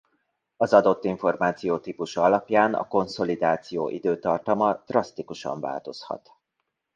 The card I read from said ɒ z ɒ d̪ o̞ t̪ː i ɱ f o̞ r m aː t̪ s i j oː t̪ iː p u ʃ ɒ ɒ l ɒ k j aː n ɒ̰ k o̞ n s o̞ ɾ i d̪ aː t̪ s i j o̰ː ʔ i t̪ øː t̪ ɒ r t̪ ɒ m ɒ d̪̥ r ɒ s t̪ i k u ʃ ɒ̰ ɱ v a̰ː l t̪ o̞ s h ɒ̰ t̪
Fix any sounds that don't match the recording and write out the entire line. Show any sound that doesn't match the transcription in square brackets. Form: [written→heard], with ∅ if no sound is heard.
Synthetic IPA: ɒ z ɒ d̪ o̞ t̪ː i ɱ f o̞ r m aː t̪ s i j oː t̪ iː p u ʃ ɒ ɒ l ɒ [k→p] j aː n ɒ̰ k o̞ n s o̞ [ɾ→l] i d̪ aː t̪ s i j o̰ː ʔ i [t̪→d̪] øː t̪ ɒ r t̪ ɒ m ɒ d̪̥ r ɒ s t̪ i k u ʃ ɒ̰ ɱ v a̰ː l t̪ o̞ s h ɒ̰ t̪